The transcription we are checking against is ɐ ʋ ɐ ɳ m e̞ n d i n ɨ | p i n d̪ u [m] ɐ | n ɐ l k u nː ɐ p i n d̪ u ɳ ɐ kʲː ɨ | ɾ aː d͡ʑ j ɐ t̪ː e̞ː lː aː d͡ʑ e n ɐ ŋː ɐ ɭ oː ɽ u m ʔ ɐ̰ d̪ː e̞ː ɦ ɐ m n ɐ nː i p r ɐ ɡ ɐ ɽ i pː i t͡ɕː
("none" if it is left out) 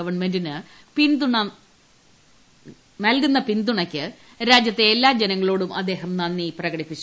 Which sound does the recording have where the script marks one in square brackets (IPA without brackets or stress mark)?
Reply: ɳ